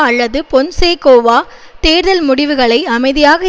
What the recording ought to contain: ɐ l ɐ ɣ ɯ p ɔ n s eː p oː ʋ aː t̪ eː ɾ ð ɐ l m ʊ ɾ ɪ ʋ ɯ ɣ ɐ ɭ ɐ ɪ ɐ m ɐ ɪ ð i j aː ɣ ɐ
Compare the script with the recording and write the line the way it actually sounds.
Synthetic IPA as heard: ɐ lː ɐ ð ɯ p ɔ n s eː k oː ʋ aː t̪ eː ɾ ð ɐ l m ʊ ɽ ɪ ʋ ɯ ɣ ɐ ɭ ɐ ɪ ɐ m ɐ ɪ ð ɪ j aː ɣ ɐ